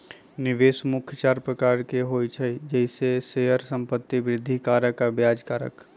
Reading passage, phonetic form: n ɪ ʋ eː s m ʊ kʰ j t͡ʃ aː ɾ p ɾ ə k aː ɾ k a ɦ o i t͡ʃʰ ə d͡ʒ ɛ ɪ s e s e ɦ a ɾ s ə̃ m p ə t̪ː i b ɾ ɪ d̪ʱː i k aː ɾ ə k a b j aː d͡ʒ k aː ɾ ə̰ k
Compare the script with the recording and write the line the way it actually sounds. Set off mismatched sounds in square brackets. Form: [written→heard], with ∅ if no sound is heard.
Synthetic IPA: n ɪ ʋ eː s m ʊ kʰ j t͡ʃ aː ɾ p ɾ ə k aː ɾ k [a→e] ɦ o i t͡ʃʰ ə d͡ʒ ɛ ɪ s e s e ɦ [a→ə] ɾ s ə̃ m p ə t̪ː i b ɾ ɪ d̪ʱː i k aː ɾ ə k a b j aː d͡ʒ k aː ɾ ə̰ k